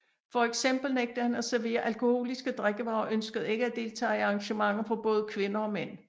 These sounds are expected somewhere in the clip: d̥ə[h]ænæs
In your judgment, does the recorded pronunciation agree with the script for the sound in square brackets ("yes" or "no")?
yes